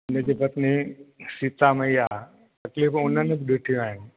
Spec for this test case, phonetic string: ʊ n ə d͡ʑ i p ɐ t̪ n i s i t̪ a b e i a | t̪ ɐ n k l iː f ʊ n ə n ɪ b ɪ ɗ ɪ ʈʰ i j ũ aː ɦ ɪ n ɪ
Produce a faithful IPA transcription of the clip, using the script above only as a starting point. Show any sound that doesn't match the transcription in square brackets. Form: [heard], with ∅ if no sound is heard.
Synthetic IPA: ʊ n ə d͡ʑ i p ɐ t̪ n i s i t̪ a [m] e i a | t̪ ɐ [∅] k l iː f ʊ n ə n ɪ b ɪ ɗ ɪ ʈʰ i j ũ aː ɦ ɪ n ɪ